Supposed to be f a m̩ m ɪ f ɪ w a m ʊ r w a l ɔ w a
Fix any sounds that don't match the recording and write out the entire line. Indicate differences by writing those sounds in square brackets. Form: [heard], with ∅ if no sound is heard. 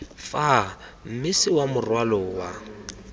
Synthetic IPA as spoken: f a m̩ m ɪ [s] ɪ w a m ʊ r w a l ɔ w a